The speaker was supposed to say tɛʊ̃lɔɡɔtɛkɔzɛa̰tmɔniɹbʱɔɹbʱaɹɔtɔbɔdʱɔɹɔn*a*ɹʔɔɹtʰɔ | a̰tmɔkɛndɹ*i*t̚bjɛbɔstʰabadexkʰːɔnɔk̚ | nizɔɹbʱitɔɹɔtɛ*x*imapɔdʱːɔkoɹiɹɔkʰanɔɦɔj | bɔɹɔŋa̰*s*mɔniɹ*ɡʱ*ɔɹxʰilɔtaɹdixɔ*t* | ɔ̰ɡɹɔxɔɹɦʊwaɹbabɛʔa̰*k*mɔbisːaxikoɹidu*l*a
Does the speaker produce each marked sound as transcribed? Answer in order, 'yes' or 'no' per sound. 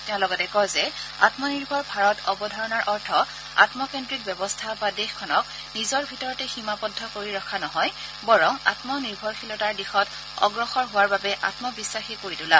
yes, yes, yes, no, no, yes, no, yes

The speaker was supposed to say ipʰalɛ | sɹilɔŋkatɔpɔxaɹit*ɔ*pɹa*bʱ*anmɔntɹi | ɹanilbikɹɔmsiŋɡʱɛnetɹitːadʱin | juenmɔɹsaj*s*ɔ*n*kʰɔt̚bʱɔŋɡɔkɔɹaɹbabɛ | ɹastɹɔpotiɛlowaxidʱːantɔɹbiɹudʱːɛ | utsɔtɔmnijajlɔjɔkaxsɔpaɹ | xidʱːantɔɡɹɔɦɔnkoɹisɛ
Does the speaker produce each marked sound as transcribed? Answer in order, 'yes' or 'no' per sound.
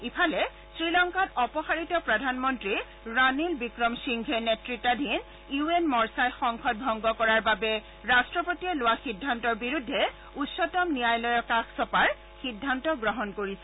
yes, no, no, no

